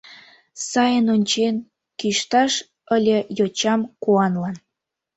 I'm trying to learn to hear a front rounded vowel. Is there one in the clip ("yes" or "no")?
no